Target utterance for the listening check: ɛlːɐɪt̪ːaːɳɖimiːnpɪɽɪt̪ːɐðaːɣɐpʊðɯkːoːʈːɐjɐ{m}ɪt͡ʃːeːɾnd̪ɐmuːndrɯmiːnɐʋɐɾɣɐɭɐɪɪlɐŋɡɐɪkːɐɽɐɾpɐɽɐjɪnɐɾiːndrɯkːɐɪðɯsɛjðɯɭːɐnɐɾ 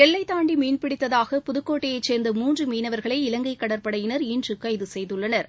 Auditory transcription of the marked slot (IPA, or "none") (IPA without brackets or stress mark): none